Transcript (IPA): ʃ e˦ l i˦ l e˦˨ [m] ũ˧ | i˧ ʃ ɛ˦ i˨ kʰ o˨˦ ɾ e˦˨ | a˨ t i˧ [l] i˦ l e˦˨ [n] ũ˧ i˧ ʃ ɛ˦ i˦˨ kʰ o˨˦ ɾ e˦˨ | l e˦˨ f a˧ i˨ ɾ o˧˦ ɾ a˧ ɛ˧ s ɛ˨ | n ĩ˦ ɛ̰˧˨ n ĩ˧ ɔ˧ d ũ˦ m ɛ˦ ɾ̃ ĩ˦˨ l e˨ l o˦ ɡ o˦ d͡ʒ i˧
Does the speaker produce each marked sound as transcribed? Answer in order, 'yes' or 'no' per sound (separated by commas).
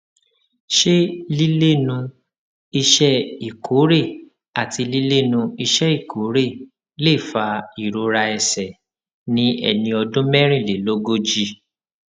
no, yes, yes